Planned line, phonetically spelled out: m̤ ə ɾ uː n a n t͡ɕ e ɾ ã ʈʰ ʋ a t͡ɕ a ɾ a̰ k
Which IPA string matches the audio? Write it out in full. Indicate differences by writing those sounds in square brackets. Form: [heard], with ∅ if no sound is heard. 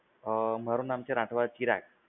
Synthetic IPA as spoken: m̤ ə ɾ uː n a [m] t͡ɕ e ɾ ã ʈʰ ʋ a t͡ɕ [i] ɾ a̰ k